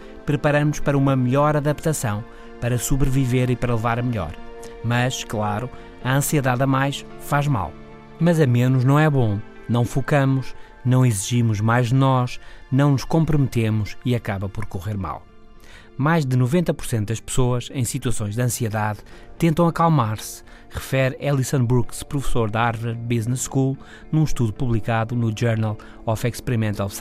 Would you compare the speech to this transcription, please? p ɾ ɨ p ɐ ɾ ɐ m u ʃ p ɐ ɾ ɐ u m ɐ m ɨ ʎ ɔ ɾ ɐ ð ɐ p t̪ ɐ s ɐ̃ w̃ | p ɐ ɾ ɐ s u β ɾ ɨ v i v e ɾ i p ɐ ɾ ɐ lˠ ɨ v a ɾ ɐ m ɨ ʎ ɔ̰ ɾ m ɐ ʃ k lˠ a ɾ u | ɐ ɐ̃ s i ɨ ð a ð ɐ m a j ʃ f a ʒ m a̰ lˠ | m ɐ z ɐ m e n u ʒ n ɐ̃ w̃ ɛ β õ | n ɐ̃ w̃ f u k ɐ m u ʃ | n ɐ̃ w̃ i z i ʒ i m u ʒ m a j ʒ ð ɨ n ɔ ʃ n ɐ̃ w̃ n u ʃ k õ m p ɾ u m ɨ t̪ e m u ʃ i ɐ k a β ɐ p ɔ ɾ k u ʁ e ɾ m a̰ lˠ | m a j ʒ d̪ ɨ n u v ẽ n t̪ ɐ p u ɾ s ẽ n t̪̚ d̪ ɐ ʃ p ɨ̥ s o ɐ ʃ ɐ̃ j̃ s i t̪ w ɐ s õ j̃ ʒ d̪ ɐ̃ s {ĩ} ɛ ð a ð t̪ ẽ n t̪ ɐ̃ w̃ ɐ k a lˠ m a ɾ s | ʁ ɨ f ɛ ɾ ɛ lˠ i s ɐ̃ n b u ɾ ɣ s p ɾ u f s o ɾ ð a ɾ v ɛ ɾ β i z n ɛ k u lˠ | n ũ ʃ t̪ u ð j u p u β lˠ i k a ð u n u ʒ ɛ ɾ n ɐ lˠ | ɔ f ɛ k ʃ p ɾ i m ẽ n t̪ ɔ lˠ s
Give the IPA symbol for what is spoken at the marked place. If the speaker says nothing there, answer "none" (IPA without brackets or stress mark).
i